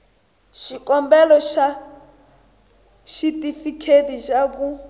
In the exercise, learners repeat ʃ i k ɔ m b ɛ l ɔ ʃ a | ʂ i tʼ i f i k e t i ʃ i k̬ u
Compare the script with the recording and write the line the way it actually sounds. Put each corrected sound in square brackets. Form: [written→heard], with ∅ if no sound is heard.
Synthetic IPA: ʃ i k ɔ m b ɛ l ɔ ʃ a | [ʂ→ʃ] i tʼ i f i [k→kʰ] e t i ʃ [i→a] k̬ u

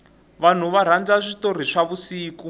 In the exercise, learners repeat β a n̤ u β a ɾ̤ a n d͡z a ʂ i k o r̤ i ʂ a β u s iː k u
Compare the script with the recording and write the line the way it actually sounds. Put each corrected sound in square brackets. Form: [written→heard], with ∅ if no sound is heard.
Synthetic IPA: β a n̤ u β a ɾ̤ a n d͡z a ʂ i [k→t] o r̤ i ʂ a β u s iː k u

